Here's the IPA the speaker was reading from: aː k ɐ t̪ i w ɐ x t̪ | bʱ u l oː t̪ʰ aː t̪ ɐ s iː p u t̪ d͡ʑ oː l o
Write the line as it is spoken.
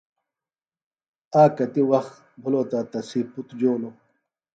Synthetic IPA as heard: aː k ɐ t̪ i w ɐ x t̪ | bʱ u l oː t̪ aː t̪ ɐ s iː p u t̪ d͡ʑ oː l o